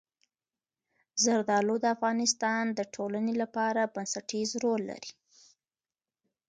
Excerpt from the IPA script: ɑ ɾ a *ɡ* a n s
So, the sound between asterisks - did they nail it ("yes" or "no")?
no